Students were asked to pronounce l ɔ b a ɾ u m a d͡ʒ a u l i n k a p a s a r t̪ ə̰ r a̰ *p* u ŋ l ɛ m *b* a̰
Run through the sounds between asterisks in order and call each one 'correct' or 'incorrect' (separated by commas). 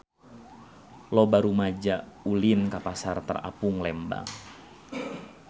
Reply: correct, correct